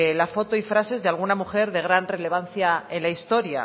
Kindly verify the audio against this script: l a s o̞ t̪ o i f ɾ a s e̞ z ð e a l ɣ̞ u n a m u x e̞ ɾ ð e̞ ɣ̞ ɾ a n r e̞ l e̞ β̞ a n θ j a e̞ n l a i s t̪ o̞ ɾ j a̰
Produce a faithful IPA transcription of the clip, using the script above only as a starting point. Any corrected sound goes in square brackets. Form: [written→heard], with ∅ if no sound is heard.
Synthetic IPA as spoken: l a [s→f] o̞ t̪ o i f ɾ a s e̞ z ð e a l ɣ̞ u n a m u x e̞ ɾ ð e̞ ɣ̞ ɾ a n r e̞ l e̞ β̞ a n θ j a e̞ n l a i s t̪ o̞ ɾ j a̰